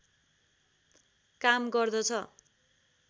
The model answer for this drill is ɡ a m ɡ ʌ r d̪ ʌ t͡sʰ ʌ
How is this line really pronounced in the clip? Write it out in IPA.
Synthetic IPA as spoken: k a m ɡ ʌ r d̪ ʌ t͡sʰ ʌ